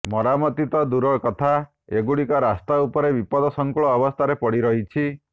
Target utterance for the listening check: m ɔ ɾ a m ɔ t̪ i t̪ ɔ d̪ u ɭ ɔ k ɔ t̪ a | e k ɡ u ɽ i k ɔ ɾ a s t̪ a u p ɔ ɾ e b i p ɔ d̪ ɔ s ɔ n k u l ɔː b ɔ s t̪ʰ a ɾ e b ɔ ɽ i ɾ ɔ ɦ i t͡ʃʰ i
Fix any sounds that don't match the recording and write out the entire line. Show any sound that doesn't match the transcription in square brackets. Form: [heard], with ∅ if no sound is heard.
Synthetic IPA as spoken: m ɔ ɾ a m ɔ t̪ i t̪ ɔ d̪ u [ɾ] ɔ k ɔ [t̪ʰ] a | e [∅] ɡ u ɽ i k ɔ ɾ a s t̪ a u p ɔ ɾ e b i p ɔ d̪ ɔ s ɔ [ŋ] k u [ɭ] ɔː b ɔ s t̪ʰ a ɾ e [p] ɔ ɽ i ɾ ɔ ɦ i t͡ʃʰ i